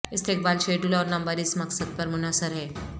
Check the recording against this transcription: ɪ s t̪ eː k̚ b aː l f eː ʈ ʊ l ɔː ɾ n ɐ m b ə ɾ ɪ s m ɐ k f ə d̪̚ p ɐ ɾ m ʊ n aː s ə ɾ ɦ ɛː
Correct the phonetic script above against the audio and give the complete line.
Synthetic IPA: ɪ s t̪ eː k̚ b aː l ʃ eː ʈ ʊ l ɔː ɾ n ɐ m b ə ɾ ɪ s m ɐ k s ə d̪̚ p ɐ ɾ m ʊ n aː s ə ɾ ɦ ɛː

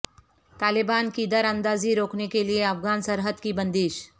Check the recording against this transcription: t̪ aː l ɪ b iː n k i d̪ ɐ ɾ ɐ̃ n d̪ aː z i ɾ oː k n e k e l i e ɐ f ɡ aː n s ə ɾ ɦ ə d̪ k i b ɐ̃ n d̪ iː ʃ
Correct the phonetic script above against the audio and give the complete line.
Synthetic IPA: t̪ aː l ɪ b aː n k i d̪ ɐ ɾ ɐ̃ n d̪ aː z i ɾ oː k n e k e l i e ɐ f ɡ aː n s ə ɾ ɦ ə d̪ k i b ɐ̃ n d̪ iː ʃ

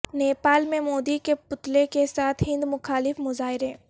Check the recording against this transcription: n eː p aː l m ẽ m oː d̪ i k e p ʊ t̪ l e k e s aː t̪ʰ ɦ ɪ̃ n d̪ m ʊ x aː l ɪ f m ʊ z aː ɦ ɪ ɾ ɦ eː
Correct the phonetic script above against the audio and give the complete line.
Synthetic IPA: n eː p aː l m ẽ m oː d̪ i k e p ʊ t̪ l e k e s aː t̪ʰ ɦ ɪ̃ n d̪ m ʊ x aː l ɪ f m ʊ z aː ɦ ɪ ɾ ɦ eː

